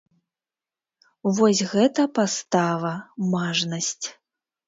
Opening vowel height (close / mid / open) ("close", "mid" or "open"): mid